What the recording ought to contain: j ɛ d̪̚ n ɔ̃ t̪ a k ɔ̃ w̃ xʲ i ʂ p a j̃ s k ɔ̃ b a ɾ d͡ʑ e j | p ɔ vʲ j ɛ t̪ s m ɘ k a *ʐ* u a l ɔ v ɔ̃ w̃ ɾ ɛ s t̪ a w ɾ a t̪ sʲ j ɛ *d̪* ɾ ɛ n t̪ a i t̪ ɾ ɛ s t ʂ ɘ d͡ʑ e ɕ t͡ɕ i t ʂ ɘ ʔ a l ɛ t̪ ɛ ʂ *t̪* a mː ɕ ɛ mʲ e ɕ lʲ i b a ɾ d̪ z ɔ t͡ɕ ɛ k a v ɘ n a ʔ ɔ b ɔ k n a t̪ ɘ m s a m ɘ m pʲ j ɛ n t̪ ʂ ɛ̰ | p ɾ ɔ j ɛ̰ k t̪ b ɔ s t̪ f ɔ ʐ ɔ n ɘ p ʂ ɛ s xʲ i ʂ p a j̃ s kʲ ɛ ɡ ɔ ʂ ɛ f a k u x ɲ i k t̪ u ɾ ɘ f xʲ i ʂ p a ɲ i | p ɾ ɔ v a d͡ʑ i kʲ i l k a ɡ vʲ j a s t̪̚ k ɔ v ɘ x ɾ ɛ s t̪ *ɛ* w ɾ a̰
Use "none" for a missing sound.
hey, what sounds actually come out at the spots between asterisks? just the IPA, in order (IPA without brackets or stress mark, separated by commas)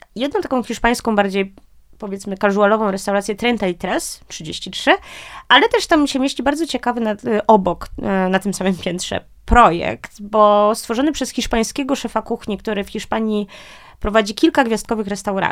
ʐ, t̪, t̪, a